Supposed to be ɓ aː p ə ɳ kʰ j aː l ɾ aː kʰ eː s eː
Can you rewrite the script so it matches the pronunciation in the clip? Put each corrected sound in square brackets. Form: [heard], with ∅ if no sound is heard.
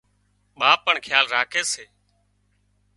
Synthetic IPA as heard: ɓ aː p ə ɳ kʰ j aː l ɾ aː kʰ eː s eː